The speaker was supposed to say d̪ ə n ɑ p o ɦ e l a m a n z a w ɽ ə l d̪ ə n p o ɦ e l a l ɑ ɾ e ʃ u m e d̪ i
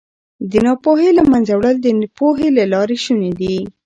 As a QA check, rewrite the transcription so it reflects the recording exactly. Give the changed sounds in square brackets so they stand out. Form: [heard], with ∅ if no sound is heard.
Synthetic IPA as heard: d̪ ə n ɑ p o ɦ e l a m a n z a w ɽ ə l d̪ ə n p o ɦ e l a l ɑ ɾ e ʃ u [n] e d̪ i

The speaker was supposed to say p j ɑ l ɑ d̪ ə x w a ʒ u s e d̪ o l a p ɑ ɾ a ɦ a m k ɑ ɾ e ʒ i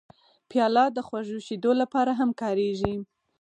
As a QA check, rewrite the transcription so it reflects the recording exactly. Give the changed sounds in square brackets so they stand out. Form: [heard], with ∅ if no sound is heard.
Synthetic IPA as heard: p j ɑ l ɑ d̪ ə x w a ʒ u [ʃ] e d̪ o l a p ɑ ɾ a ɦ a m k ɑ ɾ e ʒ i

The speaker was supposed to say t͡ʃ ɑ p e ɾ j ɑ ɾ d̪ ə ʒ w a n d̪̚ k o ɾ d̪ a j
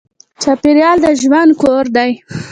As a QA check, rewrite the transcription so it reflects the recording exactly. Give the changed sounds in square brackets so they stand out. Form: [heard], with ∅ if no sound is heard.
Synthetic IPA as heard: t͡ʃ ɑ p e ɾ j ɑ [l] d̪ ə ʒ w a n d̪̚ k o ɾ d̪ a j

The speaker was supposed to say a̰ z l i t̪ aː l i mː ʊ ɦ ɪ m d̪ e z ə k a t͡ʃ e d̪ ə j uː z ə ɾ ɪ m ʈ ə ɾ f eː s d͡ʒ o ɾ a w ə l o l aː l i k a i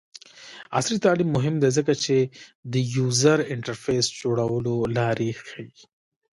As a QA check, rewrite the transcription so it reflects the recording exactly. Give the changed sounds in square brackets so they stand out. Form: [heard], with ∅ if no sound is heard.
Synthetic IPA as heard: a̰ [s] l i t̪ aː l i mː ʊ ɦ ɪ m d̪ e z ə k a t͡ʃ e d̪ ə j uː z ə ɾ ɪ [ɳ] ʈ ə ɾ f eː s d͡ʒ o [ɽ] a w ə l o l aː [ɾ] i [x] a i

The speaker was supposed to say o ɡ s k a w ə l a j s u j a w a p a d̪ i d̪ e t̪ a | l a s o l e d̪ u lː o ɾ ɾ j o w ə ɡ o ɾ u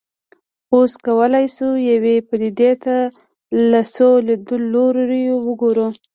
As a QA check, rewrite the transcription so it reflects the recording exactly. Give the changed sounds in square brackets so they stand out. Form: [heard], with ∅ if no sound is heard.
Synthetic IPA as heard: o [∅] s k a w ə l a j s u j a w [e] p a d̪ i d̪ e t̪ a | l a s o l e d̪ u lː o ɾ ɾ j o w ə ɡ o ɾ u

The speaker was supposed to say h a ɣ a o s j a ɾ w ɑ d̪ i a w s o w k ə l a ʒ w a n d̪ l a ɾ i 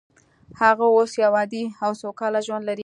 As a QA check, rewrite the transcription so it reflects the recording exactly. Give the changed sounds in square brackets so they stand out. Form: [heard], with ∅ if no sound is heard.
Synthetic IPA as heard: h a ɣ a o s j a [∅] w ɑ d̪ i a w s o w k [ɑ] l a ʒ w a n d̪ l a ɾ i

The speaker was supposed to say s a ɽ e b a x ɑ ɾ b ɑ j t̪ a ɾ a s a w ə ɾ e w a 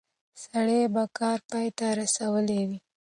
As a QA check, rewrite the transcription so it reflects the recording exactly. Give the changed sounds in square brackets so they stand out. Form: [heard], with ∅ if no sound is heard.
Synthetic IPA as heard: s a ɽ e b a [k] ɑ ɾ [p] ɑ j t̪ a ɾ a s a w ə [l] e w [i]

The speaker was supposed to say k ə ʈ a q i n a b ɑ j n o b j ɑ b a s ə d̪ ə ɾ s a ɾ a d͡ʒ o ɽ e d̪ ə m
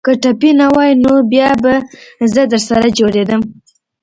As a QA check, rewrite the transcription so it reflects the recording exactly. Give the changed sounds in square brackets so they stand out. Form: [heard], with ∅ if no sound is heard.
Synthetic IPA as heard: k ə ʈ a [p] i n a [w] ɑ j n o b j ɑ b a [z] ə d̪ ə ɾ s a ɾ a d͡ʒ o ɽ e d̪ ə m

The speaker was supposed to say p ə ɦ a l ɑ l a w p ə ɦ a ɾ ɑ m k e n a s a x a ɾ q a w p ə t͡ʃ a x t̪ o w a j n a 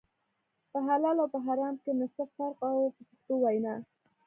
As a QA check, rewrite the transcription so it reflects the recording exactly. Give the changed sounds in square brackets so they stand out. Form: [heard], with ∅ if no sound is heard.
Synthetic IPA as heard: p ə ɦ a l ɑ l a w p ə ɦ a ɾ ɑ m k e n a s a [f] a ɾ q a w p ə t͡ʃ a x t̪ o w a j n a

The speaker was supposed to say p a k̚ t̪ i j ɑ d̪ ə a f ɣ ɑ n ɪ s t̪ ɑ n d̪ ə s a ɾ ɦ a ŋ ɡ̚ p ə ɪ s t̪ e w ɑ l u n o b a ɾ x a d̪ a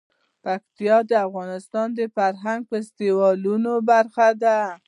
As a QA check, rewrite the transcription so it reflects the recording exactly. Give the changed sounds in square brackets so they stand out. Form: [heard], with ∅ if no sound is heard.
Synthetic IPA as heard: p a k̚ t̪ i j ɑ d̪ ə a f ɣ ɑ n ɪ s t̪ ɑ n d̪ ə [f] a ɾ ɦ a ŋ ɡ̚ p ə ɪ s t̪ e w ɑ l u n o b a ɾ x a d̪ a

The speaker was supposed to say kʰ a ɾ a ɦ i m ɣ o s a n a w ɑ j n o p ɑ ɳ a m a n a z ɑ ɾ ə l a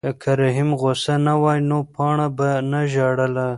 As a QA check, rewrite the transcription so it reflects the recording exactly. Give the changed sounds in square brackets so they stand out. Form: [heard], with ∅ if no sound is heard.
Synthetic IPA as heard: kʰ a ɾ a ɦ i m ɣ o s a n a w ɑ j n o p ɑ ɳ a [b] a n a [ʒ] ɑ [ɽ] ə l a

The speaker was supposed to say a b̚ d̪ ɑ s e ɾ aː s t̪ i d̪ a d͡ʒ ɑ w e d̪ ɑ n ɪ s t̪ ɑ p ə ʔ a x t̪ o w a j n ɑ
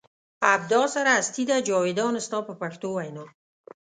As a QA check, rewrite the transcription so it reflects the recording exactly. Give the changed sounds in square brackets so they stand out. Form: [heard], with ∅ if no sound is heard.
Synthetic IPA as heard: a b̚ d̪ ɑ s [a] ɾ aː s t̪ i d̪ a d͡ʒ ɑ w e d̪ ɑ n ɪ s t̪ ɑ p ə [p] a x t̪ o w a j n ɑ

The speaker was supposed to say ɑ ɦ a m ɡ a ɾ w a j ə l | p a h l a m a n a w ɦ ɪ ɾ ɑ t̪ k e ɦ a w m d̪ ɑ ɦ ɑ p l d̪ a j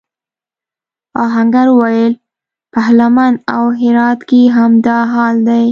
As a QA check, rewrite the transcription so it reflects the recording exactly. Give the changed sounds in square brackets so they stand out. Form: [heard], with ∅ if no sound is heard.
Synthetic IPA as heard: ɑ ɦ a [ŋ] ɡ a ɾ w a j ə l | p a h l a m a n a w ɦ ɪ ɾ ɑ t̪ k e ɦ a [∅] m d̪ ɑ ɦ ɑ [∅] l d̪ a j

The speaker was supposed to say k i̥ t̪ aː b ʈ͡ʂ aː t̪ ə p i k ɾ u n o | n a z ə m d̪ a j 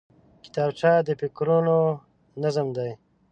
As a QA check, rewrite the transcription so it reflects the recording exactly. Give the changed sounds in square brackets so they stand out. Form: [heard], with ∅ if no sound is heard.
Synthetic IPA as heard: k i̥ t̪ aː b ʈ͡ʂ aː [d̪] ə p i k ɾ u n o | n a z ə m d̪ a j

